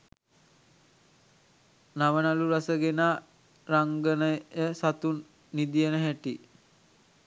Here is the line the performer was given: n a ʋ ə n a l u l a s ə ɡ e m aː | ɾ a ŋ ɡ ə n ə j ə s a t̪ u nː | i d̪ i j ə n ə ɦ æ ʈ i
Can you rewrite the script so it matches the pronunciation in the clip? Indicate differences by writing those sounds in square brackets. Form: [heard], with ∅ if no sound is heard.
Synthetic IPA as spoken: n a ʋ ə n a l u [ɾ] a s ə ɡ e [n] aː | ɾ a ŋ ɡ ə n ə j ə s a t̪ u nː | i d̪ i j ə n ə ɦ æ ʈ i